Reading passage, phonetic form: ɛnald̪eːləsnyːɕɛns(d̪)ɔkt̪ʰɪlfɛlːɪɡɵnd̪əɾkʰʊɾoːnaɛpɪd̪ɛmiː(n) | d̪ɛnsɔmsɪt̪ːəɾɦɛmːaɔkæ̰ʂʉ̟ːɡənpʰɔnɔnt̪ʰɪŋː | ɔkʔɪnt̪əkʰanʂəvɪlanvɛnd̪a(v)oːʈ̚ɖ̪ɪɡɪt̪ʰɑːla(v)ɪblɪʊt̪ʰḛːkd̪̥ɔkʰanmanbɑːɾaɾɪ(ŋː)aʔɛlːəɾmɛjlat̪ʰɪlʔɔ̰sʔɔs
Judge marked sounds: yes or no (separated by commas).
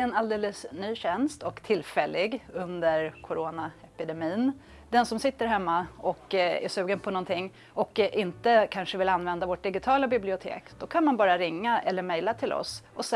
no, yes, yes, no, yes